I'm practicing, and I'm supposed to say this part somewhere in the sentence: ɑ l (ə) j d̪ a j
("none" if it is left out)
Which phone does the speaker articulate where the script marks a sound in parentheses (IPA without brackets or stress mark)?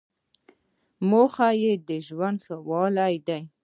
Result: a